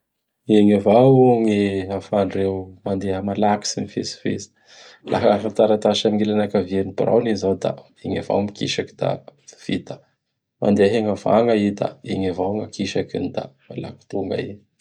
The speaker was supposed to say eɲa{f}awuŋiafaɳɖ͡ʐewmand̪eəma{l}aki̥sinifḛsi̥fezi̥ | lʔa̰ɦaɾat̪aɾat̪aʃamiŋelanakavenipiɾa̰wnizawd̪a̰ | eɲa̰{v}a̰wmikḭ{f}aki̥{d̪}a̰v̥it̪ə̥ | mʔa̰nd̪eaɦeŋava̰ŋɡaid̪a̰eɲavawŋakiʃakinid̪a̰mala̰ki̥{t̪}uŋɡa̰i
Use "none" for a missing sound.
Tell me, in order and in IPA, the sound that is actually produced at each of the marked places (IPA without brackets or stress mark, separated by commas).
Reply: v, l, v, ʃ, d̪, t̪